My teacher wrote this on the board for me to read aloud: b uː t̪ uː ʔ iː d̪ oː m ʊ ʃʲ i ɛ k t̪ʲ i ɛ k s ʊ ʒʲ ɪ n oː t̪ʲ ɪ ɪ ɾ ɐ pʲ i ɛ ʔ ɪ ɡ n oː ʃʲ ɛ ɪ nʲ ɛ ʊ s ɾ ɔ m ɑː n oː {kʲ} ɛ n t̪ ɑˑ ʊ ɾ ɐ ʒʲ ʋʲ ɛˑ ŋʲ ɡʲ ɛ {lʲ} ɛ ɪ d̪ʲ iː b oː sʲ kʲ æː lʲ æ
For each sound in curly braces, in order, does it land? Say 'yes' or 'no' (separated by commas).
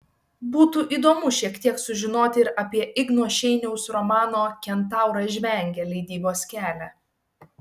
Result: yes, yes